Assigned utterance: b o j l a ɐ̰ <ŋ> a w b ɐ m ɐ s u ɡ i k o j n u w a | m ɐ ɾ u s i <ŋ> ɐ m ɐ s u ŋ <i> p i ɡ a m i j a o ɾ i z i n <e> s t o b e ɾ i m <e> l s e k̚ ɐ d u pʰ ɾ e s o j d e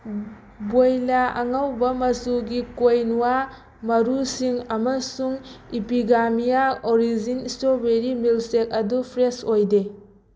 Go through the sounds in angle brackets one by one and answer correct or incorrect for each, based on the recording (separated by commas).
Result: correct, correct, correct, incorrect, incorrect